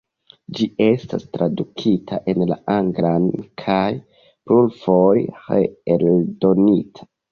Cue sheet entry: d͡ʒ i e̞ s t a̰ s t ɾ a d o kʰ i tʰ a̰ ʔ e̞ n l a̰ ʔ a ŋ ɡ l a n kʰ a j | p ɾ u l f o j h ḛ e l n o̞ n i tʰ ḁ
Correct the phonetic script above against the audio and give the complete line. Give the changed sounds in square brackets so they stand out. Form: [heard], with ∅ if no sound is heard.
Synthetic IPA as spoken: d͡ʒ i e̞ s t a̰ s t ɾ a d [u] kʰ i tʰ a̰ ʔ e̞ n l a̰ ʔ a ŋ ɡ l a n kʰ a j | p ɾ u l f o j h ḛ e l [d] o̞ n i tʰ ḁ